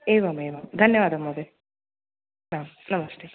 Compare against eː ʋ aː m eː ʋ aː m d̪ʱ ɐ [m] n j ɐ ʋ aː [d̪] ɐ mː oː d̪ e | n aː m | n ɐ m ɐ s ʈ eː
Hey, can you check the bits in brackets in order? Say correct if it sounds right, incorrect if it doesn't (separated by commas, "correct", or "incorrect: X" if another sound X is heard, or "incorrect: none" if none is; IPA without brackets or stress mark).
incorrect: none, correct